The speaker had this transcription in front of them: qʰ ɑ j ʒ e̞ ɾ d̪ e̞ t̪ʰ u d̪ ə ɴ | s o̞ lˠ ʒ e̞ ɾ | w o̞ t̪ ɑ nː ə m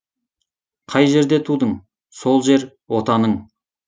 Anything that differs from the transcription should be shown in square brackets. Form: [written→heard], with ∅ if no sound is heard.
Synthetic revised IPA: qʰ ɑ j ʒ e̞ ɾ d̪ e̞ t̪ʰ u d̪ ə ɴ | s o̞ lˠ ʒ e̞ ɾ | w o̞ t̪ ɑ [nː→n] ə [m→ɴ]